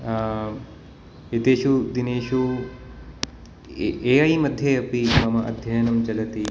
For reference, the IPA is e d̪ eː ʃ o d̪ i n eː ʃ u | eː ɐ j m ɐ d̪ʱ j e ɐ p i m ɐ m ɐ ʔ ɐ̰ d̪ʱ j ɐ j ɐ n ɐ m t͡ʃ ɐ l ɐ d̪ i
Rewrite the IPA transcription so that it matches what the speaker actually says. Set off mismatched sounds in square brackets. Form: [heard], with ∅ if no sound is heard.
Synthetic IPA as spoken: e [t̪] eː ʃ [u] d̪ i n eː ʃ u | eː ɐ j m ɐ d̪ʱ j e ɐ p i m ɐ m ɐ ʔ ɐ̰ d̪ʱ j ɐ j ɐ n ɐ m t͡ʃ ɐ l ɐ [t̪] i